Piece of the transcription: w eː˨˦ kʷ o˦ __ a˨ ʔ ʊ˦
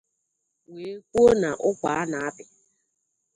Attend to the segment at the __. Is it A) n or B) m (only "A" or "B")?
A